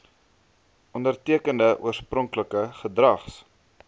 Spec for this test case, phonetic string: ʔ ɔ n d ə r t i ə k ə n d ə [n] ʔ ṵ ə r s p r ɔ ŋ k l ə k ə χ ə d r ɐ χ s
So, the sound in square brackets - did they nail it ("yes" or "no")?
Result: no